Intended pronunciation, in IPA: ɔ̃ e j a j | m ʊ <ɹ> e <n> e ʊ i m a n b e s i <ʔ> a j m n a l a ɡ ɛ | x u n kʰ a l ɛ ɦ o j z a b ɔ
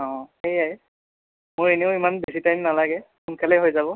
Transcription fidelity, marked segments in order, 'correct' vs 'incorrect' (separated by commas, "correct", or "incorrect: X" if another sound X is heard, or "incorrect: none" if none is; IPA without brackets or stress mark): correct, correct, incorrect: t